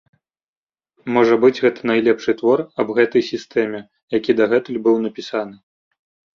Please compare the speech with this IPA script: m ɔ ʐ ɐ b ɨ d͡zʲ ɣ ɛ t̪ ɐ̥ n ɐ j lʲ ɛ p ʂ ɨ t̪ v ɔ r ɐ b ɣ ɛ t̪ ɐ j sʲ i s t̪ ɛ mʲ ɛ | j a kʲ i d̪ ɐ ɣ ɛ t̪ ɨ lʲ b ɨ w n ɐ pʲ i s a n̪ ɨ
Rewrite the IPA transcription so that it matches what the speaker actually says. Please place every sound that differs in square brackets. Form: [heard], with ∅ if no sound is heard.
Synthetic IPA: m ɔ ʐ ɐ b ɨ d͡zʲ ɣ ɛ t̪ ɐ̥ n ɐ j lʲ ɛ p ʂ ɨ t̪ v ɔ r ɐ b ɣ ɛ t̪ ɐ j sʲ i s t̪ ɛ mʲ ɛ | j a kʲ i d̪ ɐ ɣ ɛ t̪ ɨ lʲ b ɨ w n ɐ pʲ i s a n̪ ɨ